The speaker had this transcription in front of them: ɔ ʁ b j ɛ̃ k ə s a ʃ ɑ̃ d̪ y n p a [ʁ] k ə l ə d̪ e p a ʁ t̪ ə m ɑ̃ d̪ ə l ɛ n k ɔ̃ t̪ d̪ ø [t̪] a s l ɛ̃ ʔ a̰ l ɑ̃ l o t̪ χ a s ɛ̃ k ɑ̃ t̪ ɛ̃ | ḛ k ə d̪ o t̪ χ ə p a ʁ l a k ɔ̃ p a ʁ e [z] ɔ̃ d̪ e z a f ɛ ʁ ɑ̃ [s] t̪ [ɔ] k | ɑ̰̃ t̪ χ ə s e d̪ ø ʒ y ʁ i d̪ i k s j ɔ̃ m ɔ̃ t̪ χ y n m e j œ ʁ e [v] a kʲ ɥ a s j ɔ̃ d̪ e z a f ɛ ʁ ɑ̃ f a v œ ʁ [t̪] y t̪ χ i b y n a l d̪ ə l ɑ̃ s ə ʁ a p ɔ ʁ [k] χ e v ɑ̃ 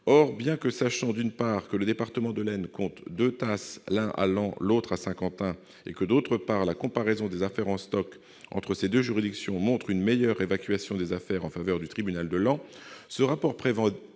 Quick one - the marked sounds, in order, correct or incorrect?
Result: correct, correct, correct, correct, correct, correct, incorrect: d̪, incorrect: p

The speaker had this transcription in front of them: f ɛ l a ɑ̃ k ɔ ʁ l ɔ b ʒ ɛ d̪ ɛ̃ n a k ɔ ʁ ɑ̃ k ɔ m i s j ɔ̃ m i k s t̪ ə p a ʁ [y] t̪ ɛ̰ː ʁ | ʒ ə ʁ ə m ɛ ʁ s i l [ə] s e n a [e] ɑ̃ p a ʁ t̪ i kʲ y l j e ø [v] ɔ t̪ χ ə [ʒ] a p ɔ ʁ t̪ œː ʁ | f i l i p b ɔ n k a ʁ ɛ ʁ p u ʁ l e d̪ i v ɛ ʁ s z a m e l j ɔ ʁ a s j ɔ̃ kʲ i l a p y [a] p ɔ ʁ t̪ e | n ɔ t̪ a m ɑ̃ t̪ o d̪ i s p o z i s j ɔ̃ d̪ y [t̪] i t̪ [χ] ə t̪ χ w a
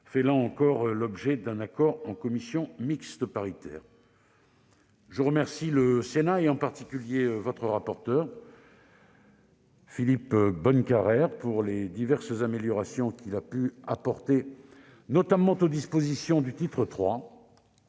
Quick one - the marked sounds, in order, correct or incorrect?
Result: incorrect: i, correct, correct, correct, incorrect: ʁ, correct, correct, correct

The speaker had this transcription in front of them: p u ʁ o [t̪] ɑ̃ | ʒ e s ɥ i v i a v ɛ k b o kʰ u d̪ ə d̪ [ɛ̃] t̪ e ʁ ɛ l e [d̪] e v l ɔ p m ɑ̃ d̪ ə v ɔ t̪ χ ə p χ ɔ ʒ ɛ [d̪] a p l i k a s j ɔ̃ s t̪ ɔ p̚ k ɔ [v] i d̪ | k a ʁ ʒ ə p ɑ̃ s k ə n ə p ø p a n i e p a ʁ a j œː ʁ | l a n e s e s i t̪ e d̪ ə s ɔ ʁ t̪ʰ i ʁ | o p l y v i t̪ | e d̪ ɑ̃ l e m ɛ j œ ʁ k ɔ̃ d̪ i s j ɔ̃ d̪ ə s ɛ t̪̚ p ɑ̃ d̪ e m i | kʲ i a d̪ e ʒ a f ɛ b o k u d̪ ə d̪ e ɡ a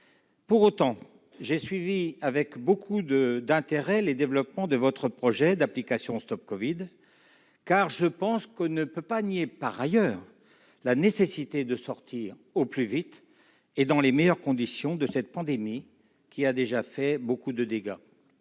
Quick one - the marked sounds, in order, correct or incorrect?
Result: correct, correct, correct, correct, correct

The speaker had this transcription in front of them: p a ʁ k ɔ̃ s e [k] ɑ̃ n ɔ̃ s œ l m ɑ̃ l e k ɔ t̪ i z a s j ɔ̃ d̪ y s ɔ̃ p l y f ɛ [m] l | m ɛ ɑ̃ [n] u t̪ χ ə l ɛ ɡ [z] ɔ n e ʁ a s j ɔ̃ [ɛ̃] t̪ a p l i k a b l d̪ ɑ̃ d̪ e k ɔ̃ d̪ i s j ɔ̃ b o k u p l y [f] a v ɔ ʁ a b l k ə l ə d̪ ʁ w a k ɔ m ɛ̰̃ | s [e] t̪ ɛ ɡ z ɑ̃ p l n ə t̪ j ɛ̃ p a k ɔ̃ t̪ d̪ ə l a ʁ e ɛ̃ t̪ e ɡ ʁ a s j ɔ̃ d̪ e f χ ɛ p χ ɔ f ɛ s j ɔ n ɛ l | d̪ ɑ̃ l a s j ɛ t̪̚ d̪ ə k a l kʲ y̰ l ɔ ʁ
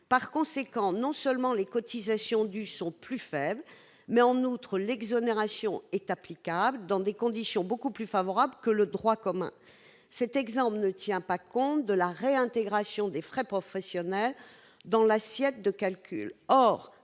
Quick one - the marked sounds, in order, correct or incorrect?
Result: correct, incorrect: b, correct, correct, incorrect: ɛ, correct, incorrect: ɛ

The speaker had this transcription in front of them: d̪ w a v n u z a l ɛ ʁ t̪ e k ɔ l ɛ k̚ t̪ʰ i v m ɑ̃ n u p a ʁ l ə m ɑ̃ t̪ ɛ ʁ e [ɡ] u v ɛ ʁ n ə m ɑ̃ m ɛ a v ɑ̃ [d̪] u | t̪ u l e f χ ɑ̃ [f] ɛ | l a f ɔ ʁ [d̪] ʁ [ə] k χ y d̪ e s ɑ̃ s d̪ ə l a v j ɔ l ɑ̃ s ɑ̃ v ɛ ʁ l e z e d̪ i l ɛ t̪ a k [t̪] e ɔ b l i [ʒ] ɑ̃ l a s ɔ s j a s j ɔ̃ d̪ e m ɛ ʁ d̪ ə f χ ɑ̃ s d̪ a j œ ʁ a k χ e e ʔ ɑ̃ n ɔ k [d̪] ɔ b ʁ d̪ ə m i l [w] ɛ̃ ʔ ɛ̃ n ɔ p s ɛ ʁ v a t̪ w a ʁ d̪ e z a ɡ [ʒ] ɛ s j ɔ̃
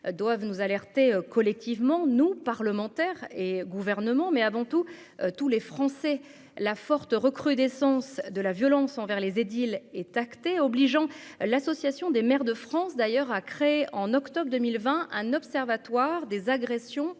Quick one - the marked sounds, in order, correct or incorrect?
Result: correct, incorrect: t̪, incorrect: s, incorrect: t̪, correct, correct, correct, incorrect: t̪, incorrect: v, incorrect: ʁ

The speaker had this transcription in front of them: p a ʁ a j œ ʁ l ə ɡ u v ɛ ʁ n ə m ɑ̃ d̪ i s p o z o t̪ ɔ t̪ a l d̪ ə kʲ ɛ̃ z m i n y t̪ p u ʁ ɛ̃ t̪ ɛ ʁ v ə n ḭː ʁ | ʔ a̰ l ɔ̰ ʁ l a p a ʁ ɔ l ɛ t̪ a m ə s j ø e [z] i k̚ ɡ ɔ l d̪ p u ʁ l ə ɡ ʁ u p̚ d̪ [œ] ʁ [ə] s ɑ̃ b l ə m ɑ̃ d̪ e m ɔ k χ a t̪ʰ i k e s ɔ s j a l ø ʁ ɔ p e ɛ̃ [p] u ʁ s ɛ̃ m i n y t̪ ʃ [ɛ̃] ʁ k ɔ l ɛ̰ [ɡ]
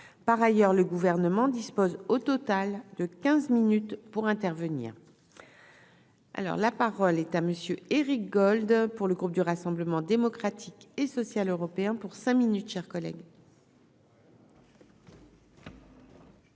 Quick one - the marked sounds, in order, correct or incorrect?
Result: incorrect: ʁ, incorrect: y, incorrect: a, correct, incorrect: ɛ, correct

